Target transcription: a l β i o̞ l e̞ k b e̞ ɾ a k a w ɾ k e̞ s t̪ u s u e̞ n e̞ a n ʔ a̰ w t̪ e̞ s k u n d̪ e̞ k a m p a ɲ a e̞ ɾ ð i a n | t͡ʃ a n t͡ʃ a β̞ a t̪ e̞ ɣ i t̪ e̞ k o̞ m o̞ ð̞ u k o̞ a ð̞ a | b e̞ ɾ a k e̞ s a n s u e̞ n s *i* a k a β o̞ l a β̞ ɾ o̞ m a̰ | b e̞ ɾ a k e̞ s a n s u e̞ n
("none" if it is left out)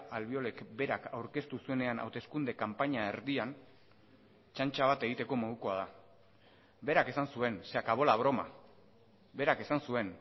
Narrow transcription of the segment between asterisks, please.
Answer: e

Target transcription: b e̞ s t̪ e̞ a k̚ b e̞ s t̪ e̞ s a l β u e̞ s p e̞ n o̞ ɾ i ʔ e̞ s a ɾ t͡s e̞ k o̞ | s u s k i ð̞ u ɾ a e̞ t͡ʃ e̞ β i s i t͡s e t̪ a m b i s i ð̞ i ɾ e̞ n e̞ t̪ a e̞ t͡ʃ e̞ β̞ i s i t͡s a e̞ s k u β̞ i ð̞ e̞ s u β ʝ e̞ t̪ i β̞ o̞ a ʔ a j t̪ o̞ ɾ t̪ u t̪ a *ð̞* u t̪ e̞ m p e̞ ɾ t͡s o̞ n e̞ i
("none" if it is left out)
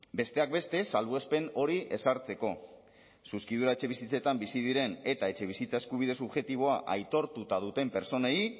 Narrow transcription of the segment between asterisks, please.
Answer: ð̞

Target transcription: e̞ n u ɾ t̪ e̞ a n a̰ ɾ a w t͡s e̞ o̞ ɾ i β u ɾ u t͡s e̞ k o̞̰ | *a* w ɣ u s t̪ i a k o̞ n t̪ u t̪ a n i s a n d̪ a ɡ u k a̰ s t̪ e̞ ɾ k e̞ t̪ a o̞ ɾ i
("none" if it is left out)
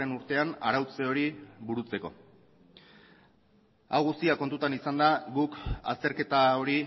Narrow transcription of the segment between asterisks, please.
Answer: a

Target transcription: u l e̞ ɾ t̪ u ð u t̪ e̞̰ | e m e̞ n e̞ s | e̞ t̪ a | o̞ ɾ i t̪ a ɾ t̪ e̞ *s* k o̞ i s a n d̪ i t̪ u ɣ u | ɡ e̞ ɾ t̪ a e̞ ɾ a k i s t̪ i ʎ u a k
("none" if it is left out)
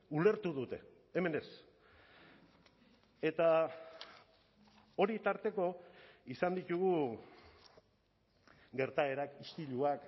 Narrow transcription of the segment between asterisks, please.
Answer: none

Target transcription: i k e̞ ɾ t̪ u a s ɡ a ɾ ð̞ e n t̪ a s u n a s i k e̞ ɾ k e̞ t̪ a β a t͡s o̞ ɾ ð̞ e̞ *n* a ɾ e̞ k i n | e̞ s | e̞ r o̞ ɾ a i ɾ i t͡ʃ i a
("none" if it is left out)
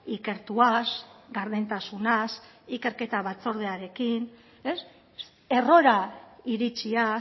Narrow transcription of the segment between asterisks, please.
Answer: none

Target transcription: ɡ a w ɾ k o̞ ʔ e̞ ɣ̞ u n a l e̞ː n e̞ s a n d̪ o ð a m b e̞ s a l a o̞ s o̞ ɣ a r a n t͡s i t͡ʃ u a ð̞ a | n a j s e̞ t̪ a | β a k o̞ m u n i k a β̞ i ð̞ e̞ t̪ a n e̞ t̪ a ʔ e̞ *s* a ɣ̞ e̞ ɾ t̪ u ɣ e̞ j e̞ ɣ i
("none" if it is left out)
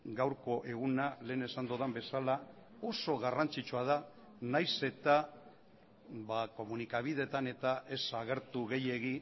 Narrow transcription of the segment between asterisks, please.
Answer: s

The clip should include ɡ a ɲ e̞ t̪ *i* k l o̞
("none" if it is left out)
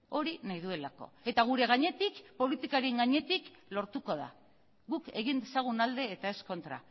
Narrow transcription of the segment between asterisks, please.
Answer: i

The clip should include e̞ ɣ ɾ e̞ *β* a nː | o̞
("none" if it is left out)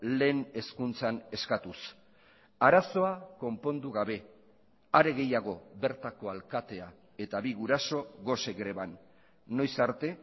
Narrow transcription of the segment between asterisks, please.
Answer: β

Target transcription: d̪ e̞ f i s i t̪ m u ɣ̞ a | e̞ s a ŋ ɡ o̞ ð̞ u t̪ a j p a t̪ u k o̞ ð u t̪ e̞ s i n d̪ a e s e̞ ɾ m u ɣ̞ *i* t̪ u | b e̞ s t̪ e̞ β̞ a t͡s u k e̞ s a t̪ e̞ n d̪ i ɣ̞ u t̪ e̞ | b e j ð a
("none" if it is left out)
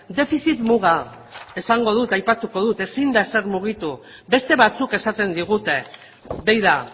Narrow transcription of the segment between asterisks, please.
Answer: i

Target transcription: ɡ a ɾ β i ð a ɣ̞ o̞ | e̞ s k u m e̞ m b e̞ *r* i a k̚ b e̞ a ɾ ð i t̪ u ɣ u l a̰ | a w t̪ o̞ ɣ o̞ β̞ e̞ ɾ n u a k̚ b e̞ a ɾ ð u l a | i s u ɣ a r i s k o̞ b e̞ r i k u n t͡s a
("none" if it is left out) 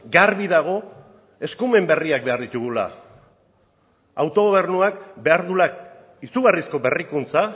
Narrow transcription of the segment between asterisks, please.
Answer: r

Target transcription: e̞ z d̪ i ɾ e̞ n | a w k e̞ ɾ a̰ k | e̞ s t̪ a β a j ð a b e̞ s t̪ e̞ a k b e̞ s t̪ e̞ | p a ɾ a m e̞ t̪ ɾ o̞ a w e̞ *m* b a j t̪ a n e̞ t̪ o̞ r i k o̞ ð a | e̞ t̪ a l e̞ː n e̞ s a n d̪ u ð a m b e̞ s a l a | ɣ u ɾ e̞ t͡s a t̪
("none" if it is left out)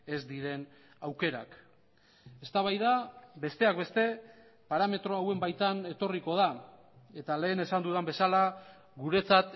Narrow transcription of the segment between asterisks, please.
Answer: m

